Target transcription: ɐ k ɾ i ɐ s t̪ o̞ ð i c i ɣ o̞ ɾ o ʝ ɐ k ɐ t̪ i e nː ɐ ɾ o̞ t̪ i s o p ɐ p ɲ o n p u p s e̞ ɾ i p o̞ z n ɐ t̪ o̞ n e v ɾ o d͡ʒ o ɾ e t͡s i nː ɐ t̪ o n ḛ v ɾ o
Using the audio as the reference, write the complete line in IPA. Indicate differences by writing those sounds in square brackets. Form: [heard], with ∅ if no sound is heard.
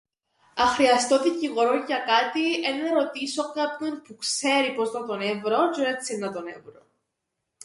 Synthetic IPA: ɐ [x] ɾ i ɐ s t̪ o̞ ð i c i ɣ o̞ ɾ o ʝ ɐ k ɐ t̪ i e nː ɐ ɾ o̞ t̪ i s o [k] ɐ p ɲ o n p u [k] s e̞ ɾ i p o̞ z n ɐ t̪ o̞ n e v ɾ o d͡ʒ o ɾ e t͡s i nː ɐ t̪ o n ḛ v ɾ o